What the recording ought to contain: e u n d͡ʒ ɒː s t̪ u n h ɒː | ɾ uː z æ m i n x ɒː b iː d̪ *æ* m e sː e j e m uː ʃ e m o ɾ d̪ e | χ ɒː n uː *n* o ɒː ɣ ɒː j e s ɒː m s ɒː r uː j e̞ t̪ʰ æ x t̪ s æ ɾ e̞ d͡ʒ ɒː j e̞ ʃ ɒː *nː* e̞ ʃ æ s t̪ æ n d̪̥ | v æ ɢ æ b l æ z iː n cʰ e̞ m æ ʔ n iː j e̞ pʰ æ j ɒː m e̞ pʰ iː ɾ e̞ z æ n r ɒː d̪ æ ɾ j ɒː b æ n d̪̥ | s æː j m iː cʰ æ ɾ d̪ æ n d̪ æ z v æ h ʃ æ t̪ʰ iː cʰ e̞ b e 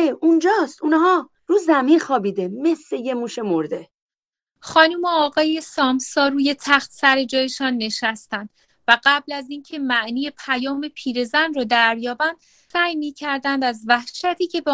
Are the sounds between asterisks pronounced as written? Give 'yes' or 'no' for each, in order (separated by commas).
no, no, yes